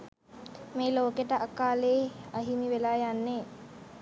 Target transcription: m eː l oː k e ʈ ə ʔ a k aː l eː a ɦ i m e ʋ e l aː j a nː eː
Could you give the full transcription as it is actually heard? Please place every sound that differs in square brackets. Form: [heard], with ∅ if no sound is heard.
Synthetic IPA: m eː l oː k e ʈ ə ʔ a k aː l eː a ɦ i m [i] ʋ e l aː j a nː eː